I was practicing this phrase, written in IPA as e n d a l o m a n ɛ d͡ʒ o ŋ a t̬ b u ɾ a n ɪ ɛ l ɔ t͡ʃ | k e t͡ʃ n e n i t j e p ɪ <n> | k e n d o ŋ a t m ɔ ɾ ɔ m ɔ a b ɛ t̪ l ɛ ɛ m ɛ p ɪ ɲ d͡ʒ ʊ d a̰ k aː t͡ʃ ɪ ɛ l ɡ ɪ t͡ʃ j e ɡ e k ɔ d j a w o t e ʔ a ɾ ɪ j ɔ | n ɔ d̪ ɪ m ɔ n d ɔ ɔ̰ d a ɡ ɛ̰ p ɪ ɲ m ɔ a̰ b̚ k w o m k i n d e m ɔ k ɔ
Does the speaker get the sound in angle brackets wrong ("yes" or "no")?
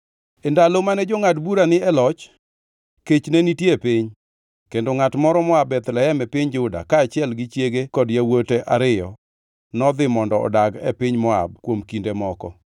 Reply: yes